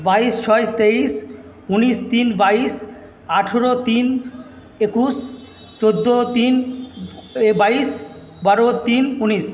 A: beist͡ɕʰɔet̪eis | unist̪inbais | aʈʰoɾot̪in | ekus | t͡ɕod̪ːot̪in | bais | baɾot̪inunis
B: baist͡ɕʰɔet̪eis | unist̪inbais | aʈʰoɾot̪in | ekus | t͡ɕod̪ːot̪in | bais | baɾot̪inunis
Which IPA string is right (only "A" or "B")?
B